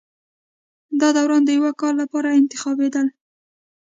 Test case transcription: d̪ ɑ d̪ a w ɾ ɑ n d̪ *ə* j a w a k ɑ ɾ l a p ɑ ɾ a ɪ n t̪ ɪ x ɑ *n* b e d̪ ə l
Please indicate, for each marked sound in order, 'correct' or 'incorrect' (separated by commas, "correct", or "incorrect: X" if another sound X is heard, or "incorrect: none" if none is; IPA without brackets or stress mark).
correct, incorrect: none